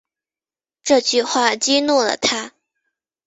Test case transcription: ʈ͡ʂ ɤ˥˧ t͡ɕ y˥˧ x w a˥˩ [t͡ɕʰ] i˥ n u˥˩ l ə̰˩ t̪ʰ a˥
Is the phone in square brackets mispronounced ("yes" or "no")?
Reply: yes